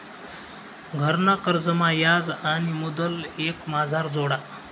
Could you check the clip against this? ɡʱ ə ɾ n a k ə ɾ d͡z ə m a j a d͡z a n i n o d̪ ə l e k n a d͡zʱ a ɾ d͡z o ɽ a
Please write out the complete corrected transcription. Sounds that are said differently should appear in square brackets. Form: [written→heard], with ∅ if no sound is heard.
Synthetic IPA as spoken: ɡʱ ə ɾ n a k ə ɾ d͡z ə m a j a d͡z a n i [n→m] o d̪ ə l e k [n→m] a d͡zʱ a ɾ d͡z o ɽ a